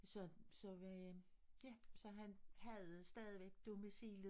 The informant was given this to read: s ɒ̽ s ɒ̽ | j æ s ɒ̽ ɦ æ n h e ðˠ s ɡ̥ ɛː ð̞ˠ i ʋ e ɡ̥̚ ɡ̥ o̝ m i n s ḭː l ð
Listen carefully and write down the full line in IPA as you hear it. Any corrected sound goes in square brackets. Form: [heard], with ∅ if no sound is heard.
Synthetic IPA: s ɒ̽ s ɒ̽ | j æ s ɒ̽ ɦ æ n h [æ] ðˠ s [d̥] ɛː ð̞ˠ i ʋ e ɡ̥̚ [d̥] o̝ m i [∅] s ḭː l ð